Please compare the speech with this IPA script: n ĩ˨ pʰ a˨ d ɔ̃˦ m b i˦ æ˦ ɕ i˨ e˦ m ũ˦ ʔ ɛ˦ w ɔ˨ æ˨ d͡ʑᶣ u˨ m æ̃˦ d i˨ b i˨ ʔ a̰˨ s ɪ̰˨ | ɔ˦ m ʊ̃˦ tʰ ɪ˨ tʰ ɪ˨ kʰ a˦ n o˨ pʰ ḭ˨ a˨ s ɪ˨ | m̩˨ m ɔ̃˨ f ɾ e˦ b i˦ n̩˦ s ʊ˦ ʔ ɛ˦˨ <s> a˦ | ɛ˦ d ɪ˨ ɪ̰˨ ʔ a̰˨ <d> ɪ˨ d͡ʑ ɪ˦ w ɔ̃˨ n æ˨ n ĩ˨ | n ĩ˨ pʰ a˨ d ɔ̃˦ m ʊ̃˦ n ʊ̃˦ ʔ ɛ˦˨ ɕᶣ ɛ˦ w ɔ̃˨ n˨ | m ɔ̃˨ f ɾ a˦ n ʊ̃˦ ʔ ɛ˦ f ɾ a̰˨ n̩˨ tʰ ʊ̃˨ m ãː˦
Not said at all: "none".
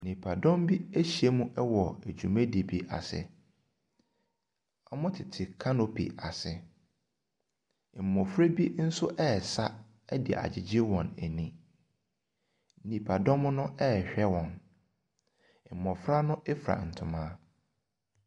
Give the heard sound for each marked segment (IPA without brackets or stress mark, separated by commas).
s, d͡ʑ